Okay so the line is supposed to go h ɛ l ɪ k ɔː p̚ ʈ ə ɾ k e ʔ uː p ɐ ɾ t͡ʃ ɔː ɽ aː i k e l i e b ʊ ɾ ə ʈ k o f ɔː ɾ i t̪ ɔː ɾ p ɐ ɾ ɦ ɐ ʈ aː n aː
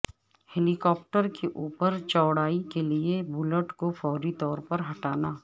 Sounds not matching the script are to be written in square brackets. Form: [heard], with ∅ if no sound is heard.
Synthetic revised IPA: h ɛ l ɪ k ɔː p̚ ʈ ə ɾ k e ʔ uː p [ə] ɾ t͡ʃ ɔː ɽ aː i k e l i e b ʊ [l] ə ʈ k o f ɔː ɾ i t̪ ɔː ɾ p ɐ ɾ ɦ ɐ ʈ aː n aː